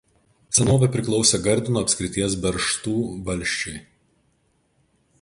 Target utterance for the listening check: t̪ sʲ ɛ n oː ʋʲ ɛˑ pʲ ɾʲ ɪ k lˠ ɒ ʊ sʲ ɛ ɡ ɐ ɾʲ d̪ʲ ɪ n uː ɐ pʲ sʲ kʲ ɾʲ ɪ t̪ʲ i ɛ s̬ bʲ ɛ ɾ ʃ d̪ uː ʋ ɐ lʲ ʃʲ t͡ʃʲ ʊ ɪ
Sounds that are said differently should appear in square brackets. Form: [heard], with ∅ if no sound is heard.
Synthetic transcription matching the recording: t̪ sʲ ɛ n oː ʋʲ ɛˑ pʲ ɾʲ ɪ k lˠ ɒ ʊ sʲ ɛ ɡ ɐ ɾʲ d̪ʲ ɪ n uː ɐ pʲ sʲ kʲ ɾʲ ɪ t̪ʲ i ɛ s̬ bʲ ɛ ɾ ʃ [t̪] uː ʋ ɐ lʲ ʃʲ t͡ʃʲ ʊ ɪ